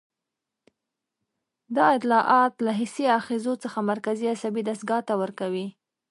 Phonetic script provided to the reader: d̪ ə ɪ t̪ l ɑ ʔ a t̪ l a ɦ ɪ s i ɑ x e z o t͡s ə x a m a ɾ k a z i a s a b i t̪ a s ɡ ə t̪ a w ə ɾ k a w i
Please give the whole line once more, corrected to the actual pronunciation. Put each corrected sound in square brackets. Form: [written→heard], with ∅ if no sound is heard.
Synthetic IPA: d̪ [ə→ɑ] ɪ t̪ l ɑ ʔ [a→ɑ] t̪ l a ɦ ɪ s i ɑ x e z o t͡s ə x a m a ɾ k a z i a s a b i [t̪→d̪] a s ɡ [ə→ɑ] t̪ a w ə ɾ k a w i